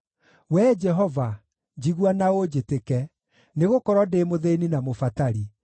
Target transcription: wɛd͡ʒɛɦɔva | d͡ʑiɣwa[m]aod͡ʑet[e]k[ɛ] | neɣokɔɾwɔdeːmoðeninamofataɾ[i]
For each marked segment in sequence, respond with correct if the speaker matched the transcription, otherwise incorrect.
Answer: incorrect: n, correct, correct, correct

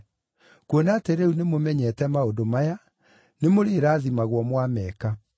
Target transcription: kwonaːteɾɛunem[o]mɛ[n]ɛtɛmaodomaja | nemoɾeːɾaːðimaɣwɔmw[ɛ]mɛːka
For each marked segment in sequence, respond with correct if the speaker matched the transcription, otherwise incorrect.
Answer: correct, incorrect: ɲ, incorrect: a

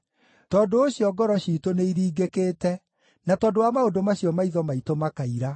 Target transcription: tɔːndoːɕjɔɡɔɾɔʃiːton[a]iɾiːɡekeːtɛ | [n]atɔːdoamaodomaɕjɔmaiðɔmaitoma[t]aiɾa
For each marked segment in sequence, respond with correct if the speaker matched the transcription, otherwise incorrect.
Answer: incorrect: e, correct, incorrect: k

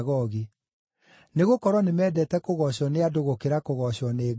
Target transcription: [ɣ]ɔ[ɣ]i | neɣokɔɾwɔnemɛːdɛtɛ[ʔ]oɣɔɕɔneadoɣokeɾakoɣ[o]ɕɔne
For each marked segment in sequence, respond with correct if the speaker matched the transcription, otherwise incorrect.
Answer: correct, correct, incorrect: k, incorrect: ɔ

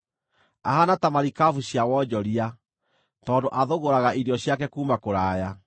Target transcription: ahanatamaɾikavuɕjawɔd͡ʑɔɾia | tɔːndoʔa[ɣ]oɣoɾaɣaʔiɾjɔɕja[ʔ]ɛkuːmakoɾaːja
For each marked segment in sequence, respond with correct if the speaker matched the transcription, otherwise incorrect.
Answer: incorrect: ð, incorrect: k

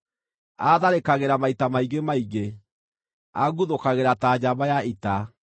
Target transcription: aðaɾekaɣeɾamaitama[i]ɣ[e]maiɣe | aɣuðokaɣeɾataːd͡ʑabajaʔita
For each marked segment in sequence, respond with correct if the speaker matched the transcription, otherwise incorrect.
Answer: correct, correct

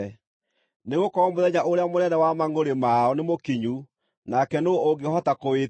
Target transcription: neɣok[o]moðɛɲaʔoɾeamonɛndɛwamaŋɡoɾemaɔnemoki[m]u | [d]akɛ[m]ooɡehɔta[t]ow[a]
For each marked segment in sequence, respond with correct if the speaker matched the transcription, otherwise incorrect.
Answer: incorrect: ɔ, incorrect: ɲ, incorrect: n, incorrect: n, incorrect: k, incorrect: e

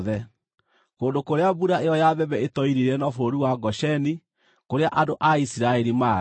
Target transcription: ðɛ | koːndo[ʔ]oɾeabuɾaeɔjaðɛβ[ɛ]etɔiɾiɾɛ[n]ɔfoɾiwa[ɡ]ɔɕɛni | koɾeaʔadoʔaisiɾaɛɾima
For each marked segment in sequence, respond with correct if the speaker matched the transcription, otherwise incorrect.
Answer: incorrect: k, correct, correct, correct

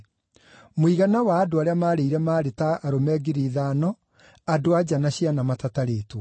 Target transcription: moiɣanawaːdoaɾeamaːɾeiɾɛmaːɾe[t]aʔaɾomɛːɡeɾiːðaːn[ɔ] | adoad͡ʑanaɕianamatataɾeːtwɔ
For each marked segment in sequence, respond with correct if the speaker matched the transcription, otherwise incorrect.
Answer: correct, correct

